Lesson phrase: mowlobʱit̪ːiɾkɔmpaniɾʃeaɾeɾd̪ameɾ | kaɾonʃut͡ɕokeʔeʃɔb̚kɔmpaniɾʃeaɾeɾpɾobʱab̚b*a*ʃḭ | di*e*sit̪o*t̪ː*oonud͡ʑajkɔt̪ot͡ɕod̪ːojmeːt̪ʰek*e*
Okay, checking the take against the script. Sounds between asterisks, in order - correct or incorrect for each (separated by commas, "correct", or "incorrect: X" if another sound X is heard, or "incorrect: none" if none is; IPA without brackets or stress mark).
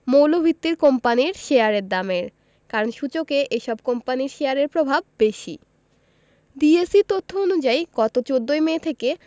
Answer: incorrect: e, correct, incorrect: t̪ʰː, correct